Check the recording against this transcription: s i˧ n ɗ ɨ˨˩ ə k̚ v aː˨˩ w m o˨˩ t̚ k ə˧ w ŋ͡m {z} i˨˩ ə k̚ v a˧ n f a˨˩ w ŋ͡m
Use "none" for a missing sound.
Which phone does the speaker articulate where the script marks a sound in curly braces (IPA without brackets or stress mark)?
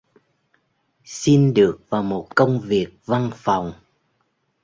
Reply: v